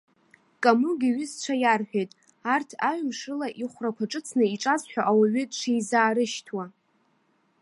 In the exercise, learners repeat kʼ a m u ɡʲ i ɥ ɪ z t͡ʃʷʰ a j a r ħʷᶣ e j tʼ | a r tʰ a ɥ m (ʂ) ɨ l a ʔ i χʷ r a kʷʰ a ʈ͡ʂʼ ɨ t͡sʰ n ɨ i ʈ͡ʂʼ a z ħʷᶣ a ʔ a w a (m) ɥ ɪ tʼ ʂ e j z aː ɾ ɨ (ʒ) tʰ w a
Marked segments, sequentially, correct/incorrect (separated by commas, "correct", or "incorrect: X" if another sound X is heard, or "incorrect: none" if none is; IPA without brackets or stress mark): correct, incorrect: none, incorrect: ʃ